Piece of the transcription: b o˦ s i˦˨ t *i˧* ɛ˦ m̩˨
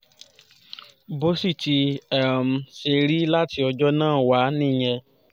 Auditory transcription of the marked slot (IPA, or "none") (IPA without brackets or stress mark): i˧